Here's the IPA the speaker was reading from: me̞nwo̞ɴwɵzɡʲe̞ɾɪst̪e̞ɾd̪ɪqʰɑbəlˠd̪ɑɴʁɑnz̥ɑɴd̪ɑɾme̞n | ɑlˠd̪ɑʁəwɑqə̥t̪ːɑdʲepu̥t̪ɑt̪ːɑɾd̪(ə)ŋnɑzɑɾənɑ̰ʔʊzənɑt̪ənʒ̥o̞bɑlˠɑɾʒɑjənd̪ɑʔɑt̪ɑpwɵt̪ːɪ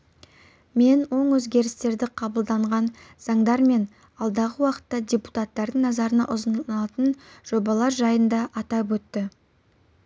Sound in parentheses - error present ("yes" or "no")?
no